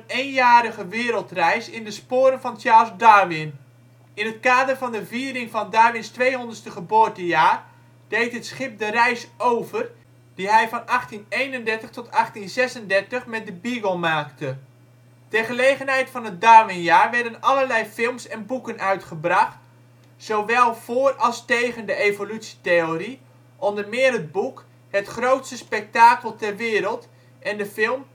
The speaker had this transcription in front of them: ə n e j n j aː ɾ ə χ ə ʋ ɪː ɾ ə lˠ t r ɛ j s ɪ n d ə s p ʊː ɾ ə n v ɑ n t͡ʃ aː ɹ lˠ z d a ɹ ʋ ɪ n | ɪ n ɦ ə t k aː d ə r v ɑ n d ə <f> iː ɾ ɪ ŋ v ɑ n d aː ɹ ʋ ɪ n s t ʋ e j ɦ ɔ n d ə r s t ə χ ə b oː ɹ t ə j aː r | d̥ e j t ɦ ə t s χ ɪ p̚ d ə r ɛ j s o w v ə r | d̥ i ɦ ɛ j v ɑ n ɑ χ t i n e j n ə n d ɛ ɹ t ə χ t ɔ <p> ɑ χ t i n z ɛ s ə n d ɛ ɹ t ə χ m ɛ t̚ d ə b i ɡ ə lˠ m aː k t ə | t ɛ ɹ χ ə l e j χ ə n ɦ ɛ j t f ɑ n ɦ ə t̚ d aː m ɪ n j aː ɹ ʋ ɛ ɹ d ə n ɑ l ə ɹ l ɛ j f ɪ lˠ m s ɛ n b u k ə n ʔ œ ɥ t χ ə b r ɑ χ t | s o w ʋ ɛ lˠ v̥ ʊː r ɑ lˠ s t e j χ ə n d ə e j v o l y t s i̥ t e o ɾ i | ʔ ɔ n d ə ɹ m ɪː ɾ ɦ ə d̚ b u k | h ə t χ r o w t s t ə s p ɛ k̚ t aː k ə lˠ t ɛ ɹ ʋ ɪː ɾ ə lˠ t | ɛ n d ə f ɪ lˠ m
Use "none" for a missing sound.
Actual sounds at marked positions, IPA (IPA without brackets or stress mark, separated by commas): v, t